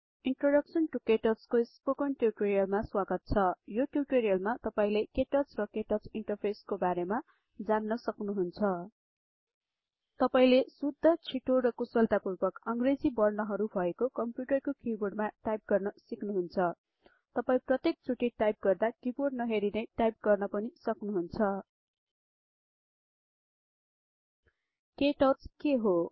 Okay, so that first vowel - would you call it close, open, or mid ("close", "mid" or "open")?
close